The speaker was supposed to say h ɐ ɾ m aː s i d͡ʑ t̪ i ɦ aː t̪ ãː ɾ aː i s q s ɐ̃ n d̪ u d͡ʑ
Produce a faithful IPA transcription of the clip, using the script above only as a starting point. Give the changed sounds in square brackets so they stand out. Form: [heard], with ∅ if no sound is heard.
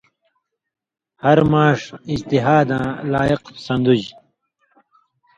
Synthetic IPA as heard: h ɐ ɾ m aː [ʂ] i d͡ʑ t̪ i ɦ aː [d̪] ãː [l] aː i [∅] q s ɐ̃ n d̪ u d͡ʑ

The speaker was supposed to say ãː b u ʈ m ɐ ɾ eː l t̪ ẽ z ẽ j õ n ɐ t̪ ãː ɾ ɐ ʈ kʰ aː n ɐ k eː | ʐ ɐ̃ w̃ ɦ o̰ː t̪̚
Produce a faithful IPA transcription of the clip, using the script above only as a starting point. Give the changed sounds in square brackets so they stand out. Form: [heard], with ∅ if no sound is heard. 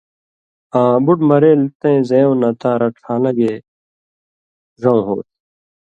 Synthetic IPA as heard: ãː b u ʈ m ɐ ɾ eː l t̪ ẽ z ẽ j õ n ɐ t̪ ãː ɾ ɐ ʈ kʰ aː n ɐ [ɡ] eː | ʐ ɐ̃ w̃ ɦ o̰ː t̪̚

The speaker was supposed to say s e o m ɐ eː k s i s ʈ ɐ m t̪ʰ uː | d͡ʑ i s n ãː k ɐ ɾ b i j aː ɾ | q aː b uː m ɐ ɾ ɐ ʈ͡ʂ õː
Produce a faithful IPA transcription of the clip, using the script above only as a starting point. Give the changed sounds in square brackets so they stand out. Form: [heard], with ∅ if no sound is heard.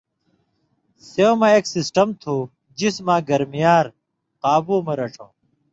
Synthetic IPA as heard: s e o m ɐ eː k s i s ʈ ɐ m t̪ʰ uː | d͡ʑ i s [m] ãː [ɡ] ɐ ɾ [m] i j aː ɾ | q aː b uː m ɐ ɾ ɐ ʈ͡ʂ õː

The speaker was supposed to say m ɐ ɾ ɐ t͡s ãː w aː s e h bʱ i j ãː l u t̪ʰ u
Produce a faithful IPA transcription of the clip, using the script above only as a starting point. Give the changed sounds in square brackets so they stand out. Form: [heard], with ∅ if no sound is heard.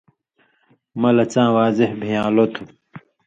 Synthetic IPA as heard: m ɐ [l] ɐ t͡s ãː w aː [z] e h bʱ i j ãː l [o] t̪ʰ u

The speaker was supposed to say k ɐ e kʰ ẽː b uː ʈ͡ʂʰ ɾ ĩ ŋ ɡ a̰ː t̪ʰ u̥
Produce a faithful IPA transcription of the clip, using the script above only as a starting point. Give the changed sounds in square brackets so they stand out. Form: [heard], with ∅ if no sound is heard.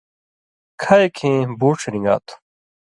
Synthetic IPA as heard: [kʰ] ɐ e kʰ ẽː b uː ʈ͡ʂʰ ɾ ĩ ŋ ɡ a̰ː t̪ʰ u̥

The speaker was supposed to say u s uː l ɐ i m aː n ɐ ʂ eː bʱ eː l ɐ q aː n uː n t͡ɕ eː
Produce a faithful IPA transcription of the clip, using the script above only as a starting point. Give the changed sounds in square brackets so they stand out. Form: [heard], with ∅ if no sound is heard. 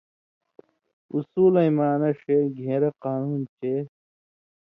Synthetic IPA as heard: u s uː l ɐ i m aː n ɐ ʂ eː [ɡʱ] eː [ɾ] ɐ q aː n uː n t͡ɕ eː

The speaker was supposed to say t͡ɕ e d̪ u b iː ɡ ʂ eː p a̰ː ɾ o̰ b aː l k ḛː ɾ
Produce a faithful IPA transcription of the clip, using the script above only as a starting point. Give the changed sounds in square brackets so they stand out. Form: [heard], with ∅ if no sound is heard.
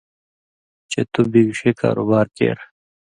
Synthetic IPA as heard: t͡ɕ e [t̪] u b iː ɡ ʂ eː [k] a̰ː ɾ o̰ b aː [ɾ] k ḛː ɾ

